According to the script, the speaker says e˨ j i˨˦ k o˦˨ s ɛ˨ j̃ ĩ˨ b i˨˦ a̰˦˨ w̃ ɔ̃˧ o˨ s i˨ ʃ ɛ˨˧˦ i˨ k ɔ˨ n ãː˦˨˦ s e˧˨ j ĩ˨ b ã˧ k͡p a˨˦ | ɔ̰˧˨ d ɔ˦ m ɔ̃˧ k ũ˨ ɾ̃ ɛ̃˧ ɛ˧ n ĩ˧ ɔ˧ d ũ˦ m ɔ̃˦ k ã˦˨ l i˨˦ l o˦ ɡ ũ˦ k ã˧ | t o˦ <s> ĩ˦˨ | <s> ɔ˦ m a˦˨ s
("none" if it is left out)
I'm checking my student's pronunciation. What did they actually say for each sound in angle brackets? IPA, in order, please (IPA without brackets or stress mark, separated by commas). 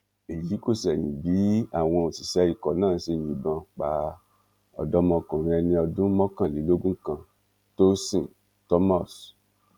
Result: s, t